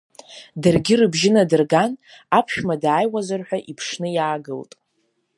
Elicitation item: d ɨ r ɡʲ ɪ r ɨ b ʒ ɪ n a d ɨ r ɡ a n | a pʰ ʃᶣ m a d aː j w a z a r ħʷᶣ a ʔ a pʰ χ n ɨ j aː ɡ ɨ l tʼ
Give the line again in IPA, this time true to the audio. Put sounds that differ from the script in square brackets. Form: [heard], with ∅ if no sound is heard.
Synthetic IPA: d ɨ r ɡʲ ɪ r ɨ b ʒ ɪ n a d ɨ r ɡ a n | a pʰ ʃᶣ m a d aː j w a z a r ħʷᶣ a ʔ [i] pʰ [ʂ] n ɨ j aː ɡ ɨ l tʼ

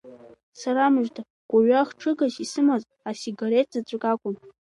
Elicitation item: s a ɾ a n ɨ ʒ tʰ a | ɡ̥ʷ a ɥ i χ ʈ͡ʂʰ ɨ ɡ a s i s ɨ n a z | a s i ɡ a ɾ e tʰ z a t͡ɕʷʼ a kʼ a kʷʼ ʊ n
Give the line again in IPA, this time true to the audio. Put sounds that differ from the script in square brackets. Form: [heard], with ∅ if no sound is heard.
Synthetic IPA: s a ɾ a [m] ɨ ʒ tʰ a | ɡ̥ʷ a ɥ [a] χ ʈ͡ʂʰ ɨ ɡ a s i s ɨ [m] a z | a s i ɡ a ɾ e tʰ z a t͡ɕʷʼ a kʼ a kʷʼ ʊ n

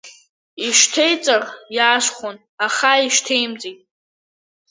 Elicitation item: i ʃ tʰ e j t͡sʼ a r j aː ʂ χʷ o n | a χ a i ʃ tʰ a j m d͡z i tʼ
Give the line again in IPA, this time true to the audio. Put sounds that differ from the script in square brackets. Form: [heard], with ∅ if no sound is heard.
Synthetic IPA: i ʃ tʰ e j t͡sʼ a r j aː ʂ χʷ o n | a χ a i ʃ tʰ [e] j m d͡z i tʼ

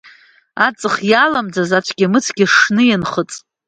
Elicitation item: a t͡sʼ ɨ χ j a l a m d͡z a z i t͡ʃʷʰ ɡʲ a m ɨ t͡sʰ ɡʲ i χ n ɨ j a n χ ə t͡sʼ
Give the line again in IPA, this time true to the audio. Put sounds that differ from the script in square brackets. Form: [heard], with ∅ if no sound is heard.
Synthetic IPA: a t͡sʼ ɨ χ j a l a m d͡z a z [a] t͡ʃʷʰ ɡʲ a m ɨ t͡sʰ ɡʲ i [ʂ] n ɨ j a n χ ə t͡sʼ

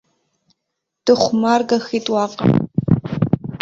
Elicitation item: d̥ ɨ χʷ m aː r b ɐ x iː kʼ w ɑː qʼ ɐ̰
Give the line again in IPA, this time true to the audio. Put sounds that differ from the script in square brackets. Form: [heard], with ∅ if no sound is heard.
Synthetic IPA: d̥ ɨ χʷ m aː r [ɡ] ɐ x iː [tʼ] w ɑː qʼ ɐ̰

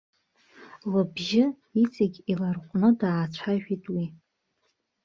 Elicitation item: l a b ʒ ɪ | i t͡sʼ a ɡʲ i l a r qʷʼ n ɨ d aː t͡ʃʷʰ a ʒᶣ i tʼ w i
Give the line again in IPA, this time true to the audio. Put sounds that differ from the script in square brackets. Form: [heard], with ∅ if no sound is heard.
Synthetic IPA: l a b ʒ ɪ | i t͡sʼ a ɡʲ i l a r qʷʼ n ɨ d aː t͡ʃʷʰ a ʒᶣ i tʼ w i

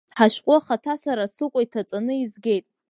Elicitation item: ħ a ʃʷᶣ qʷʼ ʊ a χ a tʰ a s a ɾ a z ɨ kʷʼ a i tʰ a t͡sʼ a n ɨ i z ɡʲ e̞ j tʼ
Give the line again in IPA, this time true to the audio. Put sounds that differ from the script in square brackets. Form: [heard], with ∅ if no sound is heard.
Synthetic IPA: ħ a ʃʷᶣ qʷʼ ʊ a χ a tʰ a s a ɾ a [s] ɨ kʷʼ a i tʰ a t͡sʼ a n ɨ i z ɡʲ e̞ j tʼ

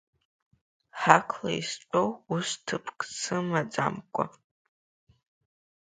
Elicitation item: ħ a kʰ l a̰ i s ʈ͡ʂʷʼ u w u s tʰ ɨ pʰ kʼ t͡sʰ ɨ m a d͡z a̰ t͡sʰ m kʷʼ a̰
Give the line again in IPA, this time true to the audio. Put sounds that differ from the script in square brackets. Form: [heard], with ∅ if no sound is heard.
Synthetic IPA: ħ a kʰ l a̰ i s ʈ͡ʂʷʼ [o] w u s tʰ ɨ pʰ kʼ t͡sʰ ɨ m a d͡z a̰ [∅] m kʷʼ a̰

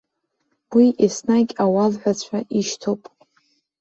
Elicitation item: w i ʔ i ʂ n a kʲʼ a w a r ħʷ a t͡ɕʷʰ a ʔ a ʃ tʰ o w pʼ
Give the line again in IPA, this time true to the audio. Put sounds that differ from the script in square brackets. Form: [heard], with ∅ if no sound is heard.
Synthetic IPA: w i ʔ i [s] n a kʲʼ a w a [l] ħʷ a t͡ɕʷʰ a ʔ [i] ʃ tʰ o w pʼ

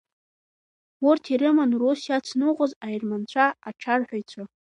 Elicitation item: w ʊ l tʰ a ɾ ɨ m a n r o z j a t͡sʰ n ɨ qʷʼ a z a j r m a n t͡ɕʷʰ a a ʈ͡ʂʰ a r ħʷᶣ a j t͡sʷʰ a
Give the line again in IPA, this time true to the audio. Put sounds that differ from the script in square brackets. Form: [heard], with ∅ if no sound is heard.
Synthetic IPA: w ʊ [r] tʰ [i] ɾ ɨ m a n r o [s] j a t͡sʰ n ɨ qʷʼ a z a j r m a n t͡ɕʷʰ a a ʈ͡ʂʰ a r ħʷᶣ a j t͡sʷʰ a

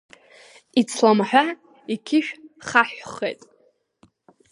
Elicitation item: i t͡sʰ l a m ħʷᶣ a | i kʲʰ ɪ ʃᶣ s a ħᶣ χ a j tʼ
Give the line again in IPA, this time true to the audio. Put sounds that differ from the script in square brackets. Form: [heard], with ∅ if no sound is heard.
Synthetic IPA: i t͡sʰ l a m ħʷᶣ a | i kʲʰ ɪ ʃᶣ [χ] a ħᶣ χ [e] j tʼ

